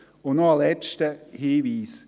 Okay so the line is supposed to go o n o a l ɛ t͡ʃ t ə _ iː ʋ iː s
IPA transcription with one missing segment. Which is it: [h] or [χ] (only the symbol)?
h